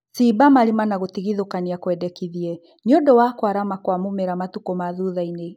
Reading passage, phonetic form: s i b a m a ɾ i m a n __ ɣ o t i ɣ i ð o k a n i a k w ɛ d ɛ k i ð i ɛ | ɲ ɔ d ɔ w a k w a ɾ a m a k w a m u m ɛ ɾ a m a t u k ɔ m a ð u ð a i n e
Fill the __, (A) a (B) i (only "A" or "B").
A